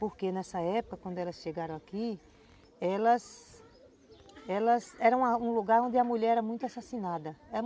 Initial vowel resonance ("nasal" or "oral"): oral